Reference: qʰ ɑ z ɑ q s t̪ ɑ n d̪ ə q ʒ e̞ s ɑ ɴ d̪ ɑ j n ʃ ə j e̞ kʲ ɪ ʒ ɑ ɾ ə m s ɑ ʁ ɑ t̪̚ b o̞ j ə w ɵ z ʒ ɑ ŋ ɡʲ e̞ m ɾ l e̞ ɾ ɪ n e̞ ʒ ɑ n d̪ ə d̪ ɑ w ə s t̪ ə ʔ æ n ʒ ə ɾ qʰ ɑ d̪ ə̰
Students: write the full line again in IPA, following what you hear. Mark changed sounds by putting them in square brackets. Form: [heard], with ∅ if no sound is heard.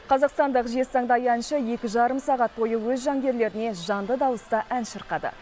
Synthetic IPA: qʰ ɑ z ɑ q s t̪ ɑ n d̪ ə q ʒ e̞ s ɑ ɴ d̪ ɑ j n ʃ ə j e̞ kʲ ɪ ʒ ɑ ɾ ə m s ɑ ʁ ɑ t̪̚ b o̞ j ə w ɵ z ʒ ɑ ŋ ɡʲ e̞ [∅] ɾ l e̞ ɾ ɪ n e̞ ʒ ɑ n d̪ ə d̪ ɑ w ə s t̪ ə ʔ æ n [ʃ] ə ɾ [q] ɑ d̪ ə̰